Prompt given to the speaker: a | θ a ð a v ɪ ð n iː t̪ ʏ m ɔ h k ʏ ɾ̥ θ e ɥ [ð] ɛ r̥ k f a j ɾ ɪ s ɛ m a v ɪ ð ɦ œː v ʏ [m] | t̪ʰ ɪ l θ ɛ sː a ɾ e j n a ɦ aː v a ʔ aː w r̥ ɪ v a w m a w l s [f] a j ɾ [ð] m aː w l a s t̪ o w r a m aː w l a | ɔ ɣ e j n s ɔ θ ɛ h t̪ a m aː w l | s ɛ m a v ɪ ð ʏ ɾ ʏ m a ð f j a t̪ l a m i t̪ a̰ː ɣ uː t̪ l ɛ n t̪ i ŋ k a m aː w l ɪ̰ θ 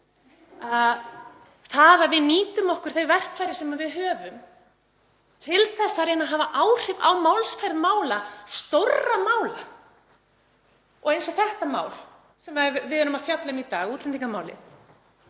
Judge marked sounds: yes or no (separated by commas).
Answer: no, yes, yes, yes